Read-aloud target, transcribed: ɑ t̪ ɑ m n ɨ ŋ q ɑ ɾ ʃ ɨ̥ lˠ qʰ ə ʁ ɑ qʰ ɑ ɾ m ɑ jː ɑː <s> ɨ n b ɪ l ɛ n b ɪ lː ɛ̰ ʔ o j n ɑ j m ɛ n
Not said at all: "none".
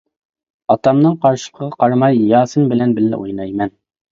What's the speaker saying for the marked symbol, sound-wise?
s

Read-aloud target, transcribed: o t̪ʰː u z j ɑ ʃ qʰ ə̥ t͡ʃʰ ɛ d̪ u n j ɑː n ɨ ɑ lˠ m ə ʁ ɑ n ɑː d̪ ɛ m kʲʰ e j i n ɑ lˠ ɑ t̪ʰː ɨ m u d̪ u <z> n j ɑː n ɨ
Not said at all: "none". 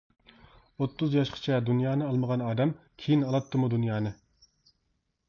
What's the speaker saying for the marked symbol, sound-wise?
none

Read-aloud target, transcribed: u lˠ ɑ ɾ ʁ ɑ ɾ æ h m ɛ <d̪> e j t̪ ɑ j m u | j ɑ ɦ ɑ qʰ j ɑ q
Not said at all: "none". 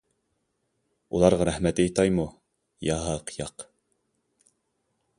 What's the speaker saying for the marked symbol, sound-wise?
t̪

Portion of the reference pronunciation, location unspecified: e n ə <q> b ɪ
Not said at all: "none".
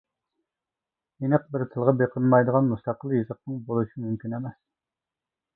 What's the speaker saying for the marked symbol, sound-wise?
q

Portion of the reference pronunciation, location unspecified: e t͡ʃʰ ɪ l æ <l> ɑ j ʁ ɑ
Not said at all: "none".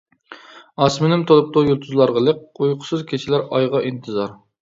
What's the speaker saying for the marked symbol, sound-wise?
ɾ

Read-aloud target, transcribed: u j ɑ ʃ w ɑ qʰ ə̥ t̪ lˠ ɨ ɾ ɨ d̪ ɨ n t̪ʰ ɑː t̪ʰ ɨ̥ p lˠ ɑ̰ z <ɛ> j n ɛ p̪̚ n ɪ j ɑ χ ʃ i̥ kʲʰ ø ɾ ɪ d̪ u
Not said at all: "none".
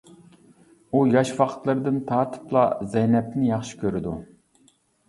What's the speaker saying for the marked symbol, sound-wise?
ɛ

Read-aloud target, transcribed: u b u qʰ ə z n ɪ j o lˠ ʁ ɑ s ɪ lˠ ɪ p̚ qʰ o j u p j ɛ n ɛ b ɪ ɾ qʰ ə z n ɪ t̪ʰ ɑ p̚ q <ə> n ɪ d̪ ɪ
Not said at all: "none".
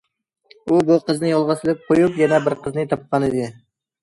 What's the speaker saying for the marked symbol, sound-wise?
ɑ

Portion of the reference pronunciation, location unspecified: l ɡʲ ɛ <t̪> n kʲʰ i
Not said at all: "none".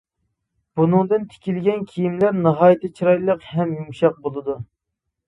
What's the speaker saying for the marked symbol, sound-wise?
none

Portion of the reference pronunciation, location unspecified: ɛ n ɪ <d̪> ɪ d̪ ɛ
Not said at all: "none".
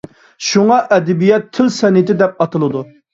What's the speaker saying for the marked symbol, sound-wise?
t̪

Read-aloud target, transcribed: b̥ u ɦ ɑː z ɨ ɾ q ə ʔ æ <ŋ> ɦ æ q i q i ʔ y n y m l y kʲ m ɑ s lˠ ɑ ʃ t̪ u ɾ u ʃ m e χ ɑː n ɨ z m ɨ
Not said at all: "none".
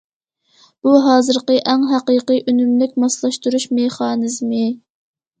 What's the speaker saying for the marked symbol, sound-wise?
ŋ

